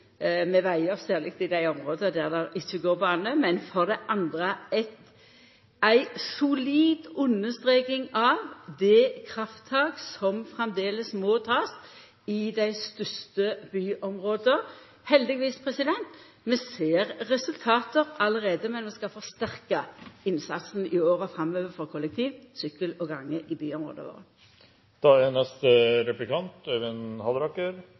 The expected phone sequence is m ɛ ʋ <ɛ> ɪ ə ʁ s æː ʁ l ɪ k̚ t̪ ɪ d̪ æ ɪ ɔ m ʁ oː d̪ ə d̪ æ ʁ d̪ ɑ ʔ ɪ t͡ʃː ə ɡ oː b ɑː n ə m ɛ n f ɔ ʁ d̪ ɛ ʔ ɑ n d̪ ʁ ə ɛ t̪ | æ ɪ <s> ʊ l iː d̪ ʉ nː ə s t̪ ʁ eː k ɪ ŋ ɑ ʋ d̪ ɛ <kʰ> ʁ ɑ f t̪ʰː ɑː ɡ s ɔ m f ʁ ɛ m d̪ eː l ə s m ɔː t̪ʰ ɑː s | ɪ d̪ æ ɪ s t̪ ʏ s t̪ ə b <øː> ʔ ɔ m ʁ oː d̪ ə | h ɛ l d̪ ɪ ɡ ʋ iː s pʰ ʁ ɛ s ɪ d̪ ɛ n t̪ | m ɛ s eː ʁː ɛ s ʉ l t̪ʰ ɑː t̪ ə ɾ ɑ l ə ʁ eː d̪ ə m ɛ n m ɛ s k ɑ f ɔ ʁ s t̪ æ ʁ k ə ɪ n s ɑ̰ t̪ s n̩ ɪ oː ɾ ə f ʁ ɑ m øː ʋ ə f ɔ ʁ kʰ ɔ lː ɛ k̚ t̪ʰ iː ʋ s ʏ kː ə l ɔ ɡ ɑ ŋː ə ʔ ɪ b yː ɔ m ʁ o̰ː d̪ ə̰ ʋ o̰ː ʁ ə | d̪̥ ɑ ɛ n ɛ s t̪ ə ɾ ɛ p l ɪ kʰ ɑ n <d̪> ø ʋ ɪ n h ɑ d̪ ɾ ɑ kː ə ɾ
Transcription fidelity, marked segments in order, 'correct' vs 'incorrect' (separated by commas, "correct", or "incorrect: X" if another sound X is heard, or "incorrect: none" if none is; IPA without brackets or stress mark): incorrect: æ, correct, correct, incorrect: yː, incorrect: t̪